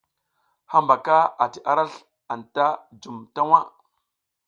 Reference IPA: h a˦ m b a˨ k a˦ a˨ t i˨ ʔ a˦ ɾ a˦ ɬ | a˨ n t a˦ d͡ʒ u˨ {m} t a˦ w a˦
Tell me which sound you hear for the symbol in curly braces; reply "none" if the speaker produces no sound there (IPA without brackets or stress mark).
m